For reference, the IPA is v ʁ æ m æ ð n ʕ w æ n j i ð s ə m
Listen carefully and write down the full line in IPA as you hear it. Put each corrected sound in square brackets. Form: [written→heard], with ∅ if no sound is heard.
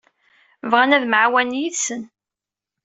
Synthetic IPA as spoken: v ʁ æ [m→n] æ ð [n→m] ʕ w æ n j i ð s ə [m→n]